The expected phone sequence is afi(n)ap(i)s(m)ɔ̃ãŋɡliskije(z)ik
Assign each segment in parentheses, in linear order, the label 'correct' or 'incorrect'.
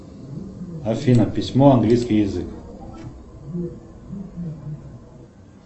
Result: correct, correct, correct, correct

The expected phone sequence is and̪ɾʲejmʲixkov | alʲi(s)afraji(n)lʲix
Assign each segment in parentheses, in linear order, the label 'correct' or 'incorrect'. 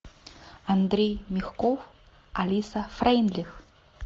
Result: correct, correct

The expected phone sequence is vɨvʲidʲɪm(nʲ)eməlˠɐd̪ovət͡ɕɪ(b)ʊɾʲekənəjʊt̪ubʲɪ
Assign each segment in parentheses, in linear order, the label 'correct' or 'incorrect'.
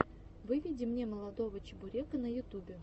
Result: correct, correct

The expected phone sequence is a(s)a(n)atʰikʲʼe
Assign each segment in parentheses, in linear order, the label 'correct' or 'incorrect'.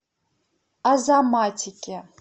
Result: incorrect, incorrect

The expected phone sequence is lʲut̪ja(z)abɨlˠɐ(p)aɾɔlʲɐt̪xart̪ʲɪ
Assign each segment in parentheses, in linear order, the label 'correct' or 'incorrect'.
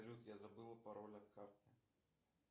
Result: correct, correct

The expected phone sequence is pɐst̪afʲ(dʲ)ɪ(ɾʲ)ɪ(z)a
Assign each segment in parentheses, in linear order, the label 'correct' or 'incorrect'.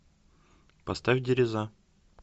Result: correct, correct, correct

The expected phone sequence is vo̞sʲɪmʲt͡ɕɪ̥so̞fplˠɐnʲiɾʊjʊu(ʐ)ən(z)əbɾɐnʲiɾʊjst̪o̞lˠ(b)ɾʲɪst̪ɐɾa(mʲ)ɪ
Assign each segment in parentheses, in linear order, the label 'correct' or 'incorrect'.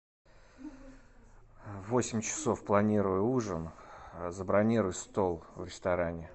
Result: correct, correct, incorrect, incorrect

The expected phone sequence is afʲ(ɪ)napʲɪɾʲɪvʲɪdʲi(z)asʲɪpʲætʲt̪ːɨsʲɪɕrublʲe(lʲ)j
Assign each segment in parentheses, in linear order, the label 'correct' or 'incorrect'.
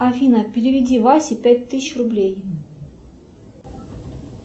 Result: incorrect, incorrect, incorrect

